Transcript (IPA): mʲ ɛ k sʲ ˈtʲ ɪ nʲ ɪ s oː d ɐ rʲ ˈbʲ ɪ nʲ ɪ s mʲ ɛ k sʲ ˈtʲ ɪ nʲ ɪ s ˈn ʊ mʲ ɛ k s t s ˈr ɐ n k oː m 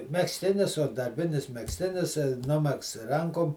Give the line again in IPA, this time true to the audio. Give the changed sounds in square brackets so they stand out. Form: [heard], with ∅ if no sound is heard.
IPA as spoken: mʲ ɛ k sʲ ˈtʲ ɪ nʲ ɪ s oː d ɐ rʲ ˈbʲ ɪ nʲ ɪ s mʲ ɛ k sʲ ˈtʲ ɪ nʲ ɪ s ˈn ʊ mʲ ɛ k s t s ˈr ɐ [ŋ] k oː m